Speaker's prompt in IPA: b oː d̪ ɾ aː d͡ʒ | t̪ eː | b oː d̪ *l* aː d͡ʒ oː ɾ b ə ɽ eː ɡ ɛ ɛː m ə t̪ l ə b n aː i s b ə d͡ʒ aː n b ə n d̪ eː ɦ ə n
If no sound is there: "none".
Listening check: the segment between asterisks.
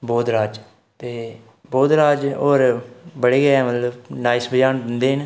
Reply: ɾ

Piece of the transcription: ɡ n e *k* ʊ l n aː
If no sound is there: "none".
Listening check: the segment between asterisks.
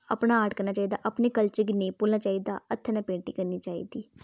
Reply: p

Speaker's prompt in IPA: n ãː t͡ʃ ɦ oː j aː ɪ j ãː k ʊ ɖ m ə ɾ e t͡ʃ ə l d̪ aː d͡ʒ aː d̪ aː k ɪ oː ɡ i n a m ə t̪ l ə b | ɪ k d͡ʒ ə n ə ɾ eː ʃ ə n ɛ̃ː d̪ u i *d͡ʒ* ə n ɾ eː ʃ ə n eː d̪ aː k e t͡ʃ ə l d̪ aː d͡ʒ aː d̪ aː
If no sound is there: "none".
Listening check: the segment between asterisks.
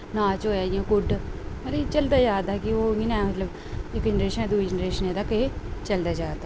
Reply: d͡ʒ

